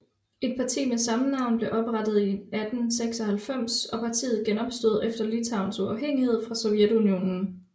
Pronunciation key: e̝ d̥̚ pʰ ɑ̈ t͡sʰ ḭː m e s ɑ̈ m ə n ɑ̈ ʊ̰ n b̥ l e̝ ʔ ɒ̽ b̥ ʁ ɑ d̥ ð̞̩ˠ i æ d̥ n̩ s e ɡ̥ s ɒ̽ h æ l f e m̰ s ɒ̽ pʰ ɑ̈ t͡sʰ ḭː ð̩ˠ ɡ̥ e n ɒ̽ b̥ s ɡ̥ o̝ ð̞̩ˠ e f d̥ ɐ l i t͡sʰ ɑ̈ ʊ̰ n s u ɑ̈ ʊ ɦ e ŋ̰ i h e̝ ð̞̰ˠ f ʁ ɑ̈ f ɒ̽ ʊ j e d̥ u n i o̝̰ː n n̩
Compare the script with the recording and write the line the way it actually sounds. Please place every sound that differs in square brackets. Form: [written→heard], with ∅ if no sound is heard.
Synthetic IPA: e̝ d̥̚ pʰ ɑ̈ t͡sʰ ḭː m e s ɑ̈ m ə n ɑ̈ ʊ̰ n b̥ l e̝ ʔ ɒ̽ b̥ ʁ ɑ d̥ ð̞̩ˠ i æ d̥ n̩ s e ɡ̥ s ɒ̽ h æ l f e m̰ s ɒ̽ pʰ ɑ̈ t͡sʰ ḭː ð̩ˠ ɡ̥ e n ɒ̽ b̥ s [ɡ̥→d̥] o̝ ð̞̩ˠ e f d̥ ɐ l i t͡sʰ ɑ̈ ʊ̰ n s u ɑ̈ ʊ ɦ e ŋ̰ i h e̝ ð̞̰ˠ f ʁ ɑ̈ [f→s] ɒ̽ ʊ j e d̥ u n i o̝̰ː n n̩

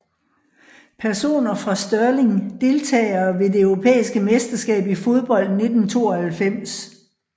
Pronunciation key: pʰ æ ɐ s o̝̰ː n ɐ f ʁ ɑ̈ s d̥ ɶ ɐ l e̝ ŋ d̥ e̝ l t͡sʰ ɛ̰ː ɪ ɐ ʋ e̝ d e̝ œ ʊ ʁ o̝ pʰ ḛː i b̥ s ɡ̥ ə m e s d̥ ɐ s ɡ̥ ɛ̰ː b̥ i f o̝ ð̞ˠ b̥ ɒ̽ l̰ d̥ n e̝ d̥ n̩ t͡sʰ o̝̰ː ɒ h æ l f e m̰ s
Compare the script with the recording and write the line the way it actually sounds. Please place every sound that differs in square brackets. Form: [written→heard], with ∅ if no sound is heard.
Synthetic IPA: pʰ æ ɐ s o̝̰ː n ɐ f ʁ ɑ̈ s d̥ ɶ ɐ l e̝ ŋ d̥ e̝ l t͡sʰ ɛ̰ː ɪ ɐ ʋ e̝ d e̝ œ ʊ ʁ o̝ pʰ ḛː i [b̥→∅] s ɡ̥ ə m e s d̥ ɐ s ɡ̥ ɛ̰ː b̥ i f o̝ ð̞ˠ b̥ ɒ̽ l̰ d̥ n e̝ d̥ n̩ t͡sʰ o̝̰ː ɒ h æ l f e m̰ s

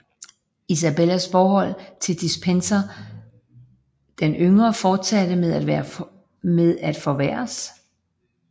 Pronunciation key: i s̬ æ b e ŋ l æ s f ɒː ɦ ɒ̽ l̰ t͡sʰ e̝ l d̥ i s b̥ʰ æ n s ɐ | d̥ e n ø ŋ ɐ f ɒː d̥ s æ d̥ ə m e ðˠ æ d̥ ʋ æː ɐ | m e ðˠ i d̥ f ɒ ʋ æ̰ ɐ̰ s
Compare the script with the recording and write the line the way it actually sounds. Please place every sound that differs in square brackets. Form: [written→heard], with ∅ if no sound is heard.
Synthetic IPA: i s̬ æ b e [ŋ→∅] l æ s f ɒː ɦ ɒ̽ l̰ t͡sʰ e̝ l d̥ i s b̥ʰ [æ→e] n s ɐ | d̥ e n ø ŋ ɐ f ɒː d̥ s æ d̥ ə m e ðˠ æ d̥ ʋ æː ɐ | m e ðˠ [i→æ] d̥ f ɒ ʋ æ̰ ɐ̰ s

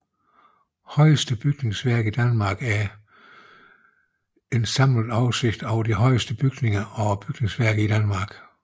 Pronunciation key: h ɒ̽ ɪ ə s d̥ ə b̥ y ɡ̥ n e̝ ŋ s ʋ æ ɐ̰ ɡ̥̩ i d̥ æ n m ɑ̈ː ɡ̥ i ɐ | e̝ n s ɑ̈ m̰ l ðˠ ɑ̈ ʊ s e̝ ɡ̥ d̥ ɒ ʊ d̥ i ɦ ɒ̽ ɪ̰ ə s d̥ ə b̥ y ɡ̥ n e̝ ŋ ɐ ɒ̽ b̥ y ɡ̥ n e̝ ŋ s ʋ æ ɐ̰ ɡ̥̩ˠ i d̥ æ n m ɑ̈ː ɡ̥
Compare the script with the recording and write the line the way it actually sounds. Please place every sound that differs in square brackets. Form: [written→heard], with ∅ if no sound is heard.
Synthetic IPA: h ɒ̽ ɪ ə s d̥ ə b̥ y ɡ̥ n e̝ ŋ s ʋ æ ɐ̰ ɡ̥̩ i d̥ æ n m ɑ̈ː ɡ̥ [i→æ] ɐ | e̝ n s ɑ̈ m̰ l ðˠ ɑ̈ ʊ s e̝ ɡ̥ d̥ ɒ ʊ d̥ i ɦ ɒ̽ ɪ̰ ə s d̥ ə b̥ y ɡ̥ n e̝ ŋ ɐ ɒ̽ b̥ y ɡ̥ n e̝ ŋ s ʋ æ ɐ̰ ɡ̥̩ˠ i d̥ æ n m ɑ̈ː ɡ̥

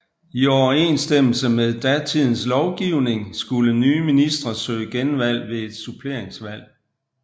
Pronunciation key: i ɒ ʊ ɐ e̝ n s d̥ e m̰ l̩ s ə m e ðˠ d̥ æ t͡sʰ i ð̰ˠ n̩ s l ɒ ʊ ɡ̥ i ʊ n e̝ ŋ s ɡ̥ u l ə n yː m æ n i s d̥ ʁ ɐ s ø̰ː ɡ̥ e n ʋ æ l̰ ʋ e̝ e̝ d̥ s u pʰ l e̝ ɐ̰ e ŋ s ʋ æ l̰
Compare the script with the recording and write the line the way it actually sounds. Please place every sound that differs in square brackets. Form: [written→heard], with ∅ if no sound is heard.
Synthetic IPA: i ɒ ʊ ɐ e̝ n s d̥ e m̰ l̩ s ə m e ðˠ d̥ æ t͡sʰ i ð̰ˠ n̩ s l ɒ ʊ ɡ̥ i ʊ n e̝ ŋ s ɡ̥ u l ə n yː m [æ→i] n i s d̥ ʁ ɐ s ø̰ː ɡ̥ e n ʋ æ l̰ ʋ e̝ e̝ d̥ s u pʰ l e̝ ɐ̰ e ŋ s ʋ æ l̰

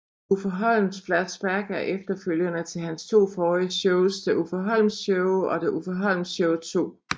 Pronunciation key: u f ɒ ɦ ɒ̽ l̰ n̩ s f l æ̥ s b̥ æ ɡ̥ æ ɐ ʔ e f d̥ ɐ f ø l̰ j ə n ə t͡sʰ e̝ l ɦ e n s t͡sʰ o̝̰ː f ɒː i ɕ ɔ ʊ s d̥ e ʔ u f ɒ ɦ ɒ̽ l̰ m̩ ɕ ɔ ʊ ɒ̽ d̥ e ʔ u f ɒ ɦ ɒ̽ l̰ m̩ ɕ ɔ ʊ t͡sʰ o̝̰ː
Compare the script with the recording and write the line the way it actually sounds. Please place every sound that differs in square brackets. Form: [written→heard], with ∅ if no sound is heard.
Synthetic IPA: u f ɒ ɦ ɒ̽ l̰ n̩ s f l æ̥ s b̥ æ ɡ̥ æ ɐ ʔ e f d̥ ɐ f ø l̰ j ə n ə t͡sʰ e̝ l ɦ [e→æ] n s t͡sʰ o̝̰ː f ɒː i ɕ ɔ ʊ s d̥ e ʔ u f ɒ ɦ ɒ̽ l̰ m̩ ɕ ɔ ʊ ɒ̽ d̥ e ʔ u f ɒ ɦ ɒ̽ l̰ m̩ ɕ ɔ ʊ t͡sʰ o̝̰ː

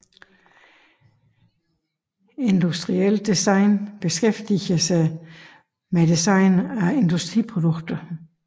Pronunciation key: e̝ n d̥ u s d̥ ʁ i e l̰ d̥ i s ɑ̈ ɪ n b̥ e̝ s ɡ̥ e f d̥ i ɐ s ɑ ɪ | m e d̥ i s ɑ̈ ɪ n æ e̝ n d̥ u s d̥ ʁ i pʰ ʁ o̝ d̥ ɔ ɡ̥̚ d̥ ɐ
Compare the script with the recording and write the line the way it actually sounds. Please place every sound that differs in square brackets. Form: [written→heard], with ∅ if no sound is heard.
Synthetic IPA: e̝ n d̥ u s d̥ ʁ i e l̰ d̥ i s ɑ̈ ɪ n b̥ e̝ s ɡ̥ e f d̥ i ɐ s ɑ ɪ | m e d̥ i s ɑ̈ ɪ n æ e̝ n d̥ u s d̥ ʁ i pʰ ʁ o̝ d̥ ɔ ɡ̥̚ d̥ ɐ

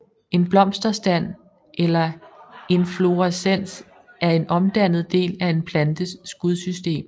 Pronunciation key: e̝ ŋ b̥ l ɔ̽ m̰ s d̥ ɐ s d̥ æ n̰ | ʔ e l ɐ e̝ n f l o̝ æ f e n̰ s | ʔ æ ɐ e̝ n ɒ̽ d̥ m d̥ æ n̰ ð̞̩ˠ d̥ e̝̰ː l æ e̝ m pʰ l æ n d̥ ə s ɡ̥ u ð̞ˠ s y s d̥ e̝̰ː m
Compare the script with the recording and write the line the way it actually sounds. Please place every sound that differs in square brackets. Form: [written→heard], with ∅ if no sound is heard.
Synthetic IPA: e̝ [ŋ→n] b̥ l [ɔ̽→ɒ̽] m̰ s d̥ ɐ s d̥ æ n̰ | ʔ e l ɐ e̝ n f l o̝ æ [f→s] e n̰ s | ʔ æ ɐ e̝ n ɒ̽ [d̥→∅] m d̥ æ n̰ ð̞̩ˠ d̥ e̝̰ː l æ e̝ [m→n] pʰ l æ n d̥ ə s ɡ̥ u ð̞ˠ s y s d̥ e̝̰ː m

